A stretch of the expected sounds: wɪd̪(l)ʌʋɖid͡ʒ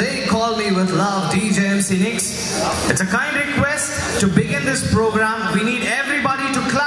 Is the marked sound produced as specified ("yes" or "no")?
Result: yes